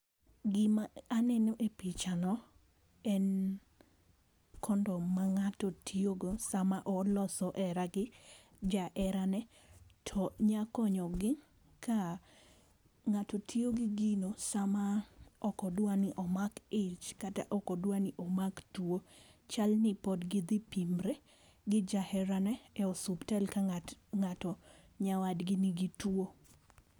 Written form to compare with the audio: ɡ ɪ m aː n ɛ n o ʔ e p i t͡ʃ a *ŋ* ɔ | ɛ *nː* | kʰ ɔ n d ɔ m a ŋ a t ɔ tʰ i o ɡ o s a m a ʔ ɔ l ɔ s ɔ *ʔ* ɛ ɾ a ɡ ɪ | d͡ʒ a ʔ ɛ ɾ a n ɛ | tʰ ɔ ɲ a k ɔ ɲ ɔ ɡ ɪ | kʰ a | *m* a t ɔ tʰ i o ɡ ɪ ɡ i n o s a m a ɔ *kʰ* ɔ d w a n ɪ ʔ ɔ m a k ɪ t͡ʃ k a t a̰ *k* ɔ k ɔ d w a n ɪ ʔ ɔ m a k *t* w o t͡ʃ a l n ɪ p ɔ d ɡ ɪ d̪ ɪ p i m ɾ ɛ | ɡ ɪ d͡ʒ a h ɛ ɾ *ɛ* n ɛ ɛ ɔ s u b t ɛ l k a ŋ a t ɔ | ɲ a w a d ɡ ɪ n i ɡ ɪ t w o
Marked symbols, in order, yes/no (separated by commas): no, no, yes, no, no, no, yes, no